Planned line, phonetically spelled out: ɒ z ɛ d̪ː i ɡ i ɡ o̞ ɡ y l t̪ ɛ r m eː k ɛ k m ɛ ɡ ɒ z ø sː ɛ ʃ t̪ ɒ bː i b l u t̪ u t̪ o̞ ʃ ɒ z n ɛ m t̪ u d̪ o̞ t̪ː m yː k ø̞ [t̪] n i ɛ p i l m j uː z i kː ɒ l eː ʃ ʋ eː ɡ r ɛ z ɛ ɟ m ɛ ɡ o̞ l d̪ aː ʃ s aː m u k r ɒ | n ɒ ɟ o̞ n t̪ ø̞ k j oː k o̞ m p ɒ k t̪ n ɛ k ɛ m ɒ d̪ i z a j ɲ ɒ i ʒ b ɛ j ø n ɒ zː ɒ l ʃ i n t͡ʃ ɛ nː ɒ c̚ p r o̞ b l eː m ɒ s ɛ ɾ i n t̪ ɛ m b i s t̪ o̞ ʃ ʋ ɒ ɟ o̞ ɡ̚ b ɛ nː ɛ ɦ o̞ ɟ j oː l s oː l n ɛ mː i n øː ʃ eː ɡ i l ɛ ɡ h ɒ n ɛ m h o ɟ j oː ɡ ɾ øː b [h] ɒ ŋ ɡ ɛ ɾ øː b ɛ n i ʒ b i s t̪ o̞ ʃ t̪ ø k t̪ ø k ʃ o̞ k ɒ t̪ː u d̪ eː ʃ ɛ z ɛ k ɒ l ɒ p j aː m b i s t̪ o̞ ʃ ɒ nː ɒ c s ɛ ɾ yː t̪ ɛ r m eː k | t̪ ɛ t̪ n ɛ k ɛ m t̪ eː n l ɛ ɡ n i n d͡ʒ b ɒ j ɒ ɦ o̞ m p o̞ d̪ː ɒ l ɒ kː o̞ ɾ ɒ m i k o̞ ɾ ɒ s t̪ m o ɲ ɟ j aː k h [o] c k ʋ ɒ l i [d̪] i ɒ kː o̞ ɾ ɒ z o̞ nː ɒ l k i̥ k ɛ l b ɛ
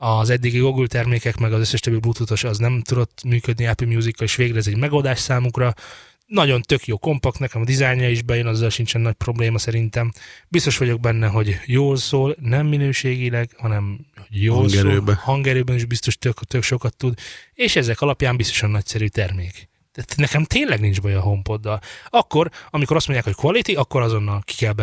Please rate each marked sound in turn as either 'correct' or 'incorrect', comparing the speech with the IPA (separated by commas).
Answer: incorrect, correct, correct, incorrect